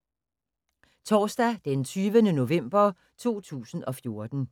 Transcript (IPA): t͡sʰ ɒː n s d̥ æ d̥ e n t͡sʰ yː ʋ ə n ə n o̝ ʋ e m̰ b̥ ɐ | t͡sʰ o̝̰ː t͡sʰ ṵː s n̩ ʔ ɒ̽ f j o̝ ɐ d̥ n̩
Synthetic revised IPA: t͡sʰ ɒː s d̥ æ d̥ e n t͡sʰ yː ʋ ə n ə n o̝ ʋ e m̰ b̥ ɐ | t͡sʰ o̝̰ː t͡sʰ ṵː s n̩ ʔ ɒ̽ f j o̝ ɐ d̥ n̩